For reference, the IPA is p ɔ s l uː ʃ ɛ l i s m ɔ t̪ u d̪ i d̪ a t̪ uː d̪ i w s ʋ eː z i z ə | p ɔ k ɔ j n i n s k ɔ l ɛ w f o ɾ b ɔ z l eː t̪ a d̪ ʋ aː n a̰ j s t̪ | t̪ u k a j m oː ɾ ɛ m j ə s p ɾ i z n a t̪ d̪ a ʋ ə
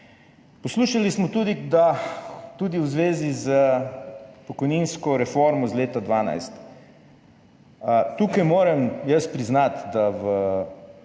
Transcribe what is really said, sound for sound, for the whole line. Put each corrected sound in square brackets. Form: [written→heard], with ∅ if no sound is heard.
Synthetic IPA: p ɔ s l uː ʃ [ɛ→a] l i s m ɔ t̪ u d̪ i d̪ a t̪ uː d̪ i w [s→z] ʋ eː z i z ə | p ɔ k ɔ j n i n s k ɔ [l→ɾ] ɛ [w→∅] f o ɾ [b→m] ɔ z l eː t̪ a d̪ ʋ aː n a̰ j s t̪ | t̪ u k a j m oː ɾ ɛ m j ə s p ɾ i z n a t̪ d̪ a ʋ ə